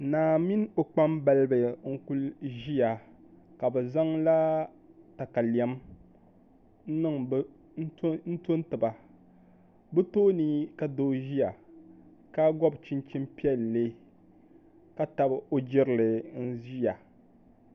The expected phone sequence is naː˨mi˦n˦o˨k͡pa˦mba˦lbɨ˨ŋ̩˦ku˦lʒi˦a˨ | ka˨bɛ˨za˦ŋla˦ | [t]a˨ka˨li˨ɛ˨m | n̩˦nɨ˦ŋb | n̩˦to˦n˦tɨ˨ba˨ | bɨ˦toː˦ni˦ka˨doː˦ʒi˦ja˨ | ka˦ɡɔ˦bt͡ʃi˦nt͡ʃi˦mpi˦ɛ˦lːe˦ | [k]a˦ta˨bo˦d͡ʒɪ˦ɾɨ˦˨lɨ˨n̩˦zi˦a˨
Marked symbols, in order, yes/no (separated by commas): yes, yes